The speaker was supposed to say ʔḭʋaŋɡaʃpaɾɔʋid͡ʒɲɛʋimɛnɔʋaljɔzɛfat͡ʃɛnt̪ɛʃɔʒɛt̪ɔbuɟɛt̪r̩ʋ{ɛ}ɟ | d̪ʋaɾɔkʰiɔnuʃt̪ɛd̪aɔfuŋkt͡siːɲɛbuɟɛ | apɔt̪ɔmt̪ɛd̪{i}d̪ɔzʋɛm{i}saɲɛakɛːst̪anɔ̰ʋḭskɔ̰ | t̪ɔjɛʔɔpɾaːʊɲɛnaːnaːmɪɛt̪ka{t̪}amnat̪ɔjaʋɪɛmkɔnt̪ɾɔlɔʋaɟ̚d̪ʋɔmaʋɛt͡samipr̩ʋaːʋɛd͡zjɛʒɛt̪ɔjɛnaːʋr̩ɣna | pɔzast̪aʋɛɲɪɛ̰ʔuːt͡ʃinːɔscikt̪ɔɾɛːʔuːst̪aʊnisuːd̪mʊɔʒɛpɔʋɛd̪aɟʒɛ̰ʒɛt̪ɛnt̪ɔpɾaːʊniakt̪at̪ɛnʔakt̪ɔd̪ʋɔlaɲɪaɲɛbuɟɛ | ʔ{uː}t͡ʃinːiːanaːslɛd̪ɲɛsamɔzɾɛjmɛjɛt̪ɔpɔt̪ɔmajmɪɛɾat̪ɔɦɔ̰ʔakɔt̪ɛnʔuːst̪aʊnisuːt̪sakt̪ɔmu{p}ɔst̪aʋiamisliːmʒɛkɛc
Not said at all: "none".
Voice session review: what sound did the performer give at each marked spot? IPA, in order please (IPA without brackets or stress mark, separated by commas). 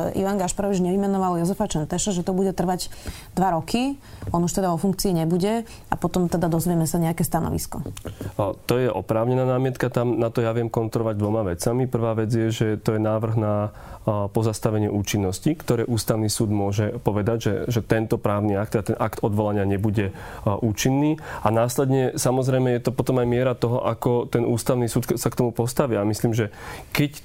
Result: a, a, ɛ, t̪, uː, p